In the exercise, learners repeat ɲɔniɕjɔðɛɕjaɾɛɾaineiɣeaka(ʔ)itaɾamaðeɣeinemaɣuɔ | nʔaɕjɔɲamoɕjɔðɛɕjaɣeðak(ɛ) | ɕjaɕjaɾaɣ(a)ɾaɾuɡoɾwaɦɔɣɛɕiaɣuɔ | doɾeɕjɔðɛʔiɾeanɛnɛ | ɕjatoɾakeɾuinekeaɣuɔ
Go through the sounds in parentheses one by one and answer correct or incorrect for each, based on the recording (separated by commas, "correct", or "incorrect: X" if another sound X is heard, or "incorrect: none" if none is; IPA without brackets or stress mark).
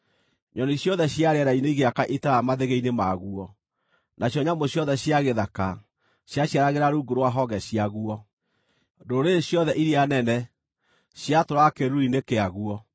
correct, incorrect: a, incorrect: e